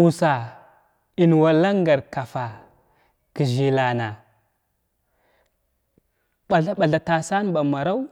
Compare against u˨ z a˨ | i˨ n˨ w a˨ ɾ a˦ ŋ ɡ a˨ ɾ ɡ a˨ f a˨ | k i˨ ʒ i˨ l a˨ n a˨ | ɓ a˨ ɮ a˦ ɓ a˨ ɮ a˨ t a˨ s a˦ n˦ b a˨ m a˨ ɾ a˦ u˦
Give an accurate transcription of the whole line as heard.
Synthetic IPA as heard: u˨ s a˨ | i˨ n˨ w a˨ l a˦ ŋ ɡ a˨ ɾ k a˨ f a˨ | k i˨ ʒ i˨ l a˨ n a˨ | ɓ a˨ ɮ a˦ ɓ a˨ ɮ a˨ t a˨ s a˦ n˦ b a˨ m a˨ ɾ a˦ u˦